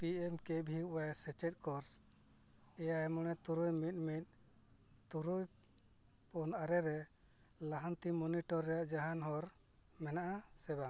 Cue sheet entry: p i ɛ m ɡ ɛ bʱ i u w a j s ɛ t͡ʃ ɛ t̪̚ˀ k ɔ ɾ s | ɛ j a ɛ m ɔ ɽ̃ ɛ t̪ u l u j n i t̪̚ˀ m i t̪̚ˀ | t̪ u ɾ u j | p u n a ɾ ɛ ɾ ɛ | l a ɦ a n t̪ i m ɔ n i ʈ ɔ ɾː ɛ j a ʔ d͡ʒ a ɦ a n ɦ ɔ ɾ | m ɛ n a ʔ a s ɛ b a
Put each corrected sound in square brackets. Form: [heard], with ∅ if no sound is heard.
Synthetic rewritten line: p i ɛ m [k] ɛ bʱ i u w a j s ɛ t͡ʃ ɛ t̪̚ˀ k ɔ ɾ s | ɛ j a ɛ m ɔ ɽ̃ ɛ t̪ u [ɾ] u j [m] i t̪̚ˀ m i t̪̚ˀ | t̪ u ɾ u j | p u n a ɾ ɛ ɾ ɛ | l a ɦ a n t̪ i m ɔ n i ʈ ɔ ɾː ɛ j a ʔ d͡ʒ a ɦ a n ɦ ɔ ɾ | m ɛ n a ʔ a s ɛ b a